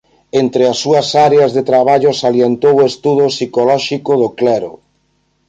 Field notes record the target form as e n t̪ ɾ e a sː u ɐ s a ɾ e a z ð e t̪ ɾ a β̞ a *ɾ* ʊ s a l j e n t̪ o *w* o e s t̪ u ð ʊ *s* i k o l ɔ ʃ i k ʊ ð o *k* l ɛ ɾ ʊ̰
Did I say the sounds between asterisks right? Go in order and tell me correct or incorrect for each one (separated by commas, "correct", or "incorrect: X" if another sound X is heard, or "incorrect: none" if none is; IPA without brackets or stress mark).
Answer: incorrect: ʎ, correct, correct, correct